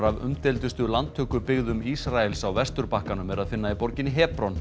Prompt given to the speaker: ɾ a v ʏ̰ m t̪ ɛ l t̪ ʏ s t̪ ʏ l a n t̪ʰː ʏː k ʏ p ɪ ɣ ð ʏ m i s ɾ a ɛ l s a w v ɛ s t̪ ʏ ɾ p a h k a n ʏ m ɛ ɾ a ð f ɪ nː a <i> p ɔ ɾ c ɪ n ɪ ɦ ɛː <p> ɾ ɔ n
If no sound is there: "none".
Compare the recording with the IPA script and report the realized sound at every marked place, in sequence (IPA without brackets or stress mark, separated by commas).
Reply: i, p